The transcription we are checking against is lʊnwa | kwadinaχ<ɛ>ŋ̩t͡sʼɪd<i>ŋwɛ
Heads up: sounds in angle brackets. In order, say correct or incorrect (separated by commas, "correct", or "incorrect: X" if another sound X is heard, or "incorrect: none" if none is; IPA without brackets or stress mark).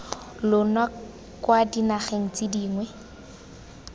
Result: incorrect: e, incorrect: iː